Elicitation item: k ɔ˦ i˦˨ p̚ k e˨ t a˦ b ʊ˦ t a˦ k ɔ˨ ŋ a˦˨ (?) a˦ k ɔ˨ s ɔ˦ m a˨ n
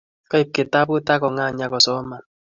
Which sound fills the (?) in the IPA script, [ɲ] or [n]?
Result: ɲ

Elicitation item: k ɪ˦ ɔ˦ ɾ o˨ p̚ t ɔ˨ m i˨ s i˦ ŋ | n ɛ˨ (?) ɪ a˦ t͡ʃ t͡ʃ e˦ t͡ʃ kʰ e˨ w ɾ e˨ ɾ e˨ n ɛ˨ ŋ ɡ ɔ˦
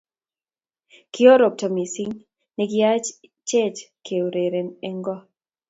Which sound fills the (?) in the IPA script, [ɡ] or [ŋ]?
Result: ɡ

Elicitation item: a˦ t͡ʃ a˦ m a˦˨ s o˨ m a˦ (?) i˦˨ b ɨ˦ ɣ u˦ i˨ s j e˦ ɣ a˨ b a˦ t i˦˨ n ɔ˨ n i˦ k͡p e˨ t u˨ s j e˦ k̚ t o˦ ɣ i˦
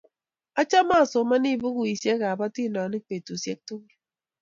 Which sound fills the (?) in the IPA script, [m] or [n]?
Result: n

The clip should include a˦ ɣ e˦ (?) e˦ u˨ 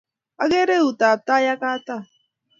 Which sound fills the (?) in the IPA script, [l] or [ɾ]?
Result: ɾ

